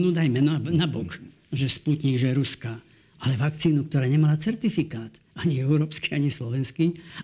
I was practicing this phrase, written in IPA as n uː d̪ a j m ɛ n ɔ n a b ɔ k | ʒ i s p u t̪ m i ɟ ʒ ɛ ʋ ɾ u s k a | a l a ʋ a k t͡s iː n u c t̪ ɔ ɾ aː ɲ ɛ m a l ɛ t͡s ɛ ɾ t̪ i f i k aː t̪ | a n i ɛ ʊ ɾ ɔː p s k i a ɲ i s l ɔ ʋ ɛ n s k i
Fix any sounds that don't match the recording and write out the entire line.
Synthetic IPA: n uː d̪ a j m ɛ n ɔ n a b ɔ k | ʒ ɛ s p u t̪ ɲ i ɡ ʒ ɛ ɾ u s k a | a l ɛ ʋ a k t͡s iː n u k t̪ ɔ ɾ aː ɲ ɛ m a l a t͡s ɛ ɾ t̪ i f i k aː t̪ | a ɲ i ɛ ʊ ɾ ɔː p s k i a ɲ i s l ɔ ʋ ɛ n s k i